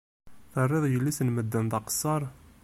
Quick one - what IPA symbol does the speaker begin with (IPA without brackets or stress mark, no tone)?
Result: θ